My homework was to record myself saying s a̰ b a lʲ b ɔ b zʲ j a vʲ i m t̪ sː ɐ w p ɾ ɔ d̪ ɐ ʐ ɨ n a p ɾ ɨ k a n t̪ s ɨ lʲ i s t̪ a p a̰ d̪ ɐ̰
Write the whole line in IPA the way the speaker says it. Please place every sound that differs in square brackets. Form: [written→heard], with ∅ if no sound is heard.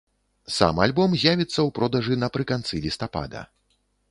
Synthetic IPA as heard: s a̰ [b→m] a lʲ b ɔ [b→m] zʲ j a vʲ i [m→∅] t̪ sː ɐ w p ɾ ɔ d̪ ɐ ʐ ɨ n [a→ɐ] p ɾ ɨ k a n t̪ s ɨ lʲ i s t̪ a p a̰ d̪ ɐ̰